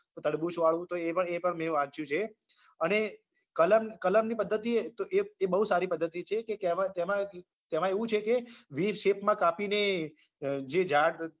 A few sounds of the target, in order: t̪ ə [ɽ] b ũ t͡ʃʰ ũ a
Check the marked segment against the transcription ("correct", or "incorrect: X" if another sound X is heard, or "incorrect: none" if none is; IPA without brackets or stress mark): correct